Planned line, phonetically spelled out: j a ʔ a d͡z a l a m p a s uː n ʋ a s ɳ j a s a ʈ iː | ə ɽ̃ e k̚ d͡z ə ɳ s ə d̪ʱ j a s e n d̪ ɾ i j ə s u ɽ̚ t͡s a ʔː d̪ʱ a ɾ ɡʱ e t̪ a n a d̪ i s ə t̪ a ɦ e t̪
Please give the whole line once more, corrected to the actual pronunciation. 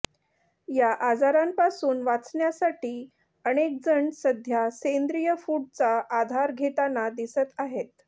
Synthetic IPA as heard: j a ʔ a d͡z a ɾ a m p a s uː n ʋ a t͡s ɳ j a s a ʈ iː | ə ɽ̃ e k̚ d͡z ə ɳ s ə d̪ʱ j a s e n d̪ ɾ i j ə f u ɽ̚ t͡s a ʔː d̪ʱ a ɾ ɡʱ e t̪ a n a d̪ i s ə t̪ a ɦ e t̪